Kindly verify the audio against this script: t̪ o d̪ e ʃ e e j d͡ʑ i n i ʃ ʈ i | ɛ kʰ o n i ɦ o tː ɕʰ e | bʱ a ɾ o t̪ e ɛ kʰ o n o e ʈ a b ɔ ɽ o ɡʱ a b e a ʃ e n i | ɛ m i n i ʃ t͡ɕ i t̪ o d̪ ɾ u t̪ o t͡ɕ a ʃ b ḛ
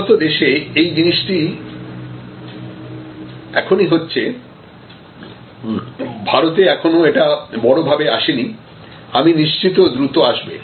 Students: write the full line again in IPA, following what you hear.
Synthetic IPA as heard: t̪ o d̪ e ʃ e e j d͡ʑ i n i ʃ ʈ i | ɛ kʰ o n i ɦ o tː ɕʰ e | bʱ a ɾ o t̪ e ɛ kʰ o n o e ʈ a b ɔ ɽ o bʱ a b e a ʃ e n i | a m i n i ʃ t͡ɕ i t̪ o d̪ ɾ u t̪ o a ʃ b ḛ

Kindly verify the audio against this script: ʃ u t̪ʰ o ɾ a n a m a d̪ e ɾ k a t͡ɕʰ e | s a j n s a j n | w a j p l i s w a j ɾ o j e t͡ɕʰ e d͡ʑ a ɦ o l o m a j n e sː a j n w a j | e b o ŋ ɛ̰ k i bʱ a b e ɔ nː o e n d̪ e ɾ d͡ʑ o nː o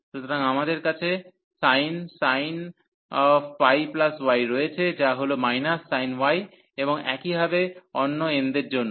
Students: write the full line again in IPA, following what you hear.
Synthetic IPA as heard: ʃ u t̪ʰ o ɾ a ŋ a m a d̪ e ɾ k a t͡ɕʰ e | s a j n s a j n | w a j p l a s w a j ɾ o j e t͡ɕʰ e d͡ʑ a ɦ o l o m a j n a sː a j n w a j | e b o ŋ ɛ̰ k i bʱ a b e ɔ nː o e n d̪ e ɾ d͡ʑ o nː o

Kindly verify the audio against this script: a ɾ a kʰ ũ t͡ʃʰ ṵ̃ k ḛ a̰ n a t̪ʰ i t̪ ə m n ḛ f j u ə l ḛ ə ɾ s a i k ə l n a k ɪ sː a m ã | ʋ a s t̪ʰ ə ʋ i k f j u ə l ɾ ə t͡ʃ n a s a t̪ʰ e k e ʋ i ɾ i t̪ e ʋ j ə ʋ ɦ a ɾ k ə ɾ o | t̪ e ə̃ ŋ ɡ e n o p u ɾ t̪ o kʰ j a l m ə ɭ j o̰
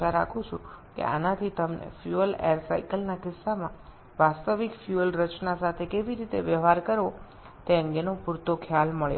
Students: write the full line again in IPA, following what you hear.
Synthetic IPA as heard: a ɾ a kʰ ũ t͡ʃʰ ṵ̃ k ḛ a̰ n a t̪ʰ i t̪ ə m n ḛ f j u ə l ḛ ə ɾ s a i k ə l n a k ɪ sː a m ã | ʋ a s t̪ ə ʋ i k f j u ə l ɾ ə t͡ʃ n a s a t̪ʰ e k e ʋ i ɾ i t̪ e ʋ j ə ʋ ɦ a ɾ k ə ɾ o | t̪ e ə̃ ŋ ɡ e n o p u ɾ t̪ o kʰ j a l m ə ɭ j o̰

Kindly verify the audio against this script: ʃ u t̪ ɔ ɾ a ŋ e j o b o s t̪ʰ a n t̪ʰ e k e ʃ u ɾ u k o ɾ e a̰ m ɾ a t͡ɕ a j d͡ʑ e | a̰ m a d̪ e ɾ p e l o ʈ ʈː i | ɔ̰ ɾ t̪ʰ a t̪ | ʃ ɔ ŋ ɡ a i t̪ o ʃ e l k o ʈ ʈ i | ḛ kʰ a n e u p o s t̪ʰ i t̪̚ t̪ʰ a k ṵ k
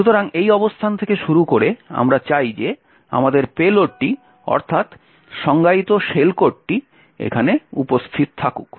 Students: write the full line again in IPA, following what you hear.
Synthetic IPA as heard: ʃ u t̪ o ɾ a ŋ e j ɔ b o s t̪ʰ a n t̪ʰ e k e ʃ u ɾ u k o ɾ e a̰ m ɾ a t͡ɕ a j d͡ʑ e | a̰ m a d̪ e ɾ p e l o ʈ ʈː i | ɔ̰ ɾ t̪ʰ a t̪ | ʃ ɔ ŋ ɡ a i t̪ o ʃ e l k o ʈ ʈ i | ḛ kʰ a n e u p o s t̪ʰ i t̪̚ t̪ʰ a k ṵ k

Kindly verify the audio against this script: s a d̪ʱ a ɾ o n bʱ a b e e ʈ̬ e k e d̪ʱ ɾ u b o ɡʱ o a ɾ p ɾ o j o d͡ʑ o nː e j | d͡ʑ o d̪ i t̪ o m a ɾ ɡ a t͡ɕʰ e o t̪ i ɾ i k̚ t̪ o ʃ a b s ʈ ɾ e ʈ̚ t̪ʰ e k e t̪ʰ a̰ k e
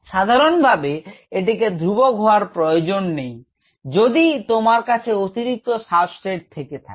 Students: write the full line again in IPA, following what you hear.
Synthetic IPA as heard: ʃ a d̪ʱ a ɾ o n bʱ a b e e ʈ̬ i k e d̪ʱ ɾ u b o ɡʱ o a ɾ p ɾ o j o d͡ʑ o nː e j | d͡ʑ o d̪ i t̪ o m a ɾ k a t͡ɕʰ e o t̪ i ɾ i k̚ t̪ o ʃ a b s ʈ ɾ e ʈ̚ t̪ʰ e k e t̪ʰ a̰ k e

